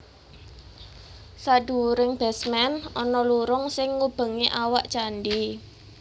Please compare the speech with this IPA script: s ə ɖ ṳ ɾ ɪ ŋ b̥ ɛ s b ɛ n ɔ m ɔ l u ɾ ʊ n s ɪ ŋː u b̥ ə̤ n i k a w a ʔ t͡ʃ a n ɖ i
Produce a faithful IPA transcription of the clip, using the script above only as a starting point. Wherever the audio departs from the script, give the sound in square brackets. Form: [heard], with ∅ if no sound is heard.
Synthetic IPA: s [a] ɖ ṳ ɾ ɪ ŋ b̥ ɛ s [m] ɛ n ɔ [n] ɔ l u ɾ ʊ [ŋ] s ɪ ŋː u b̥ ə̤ [ŋ] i [ʔ] a w a ʔ t͡ʃ a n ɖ i